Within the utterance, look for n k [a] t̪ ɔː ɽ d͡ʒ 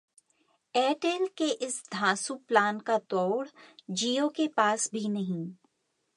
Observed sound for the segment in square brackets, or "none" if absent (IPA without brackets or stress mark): a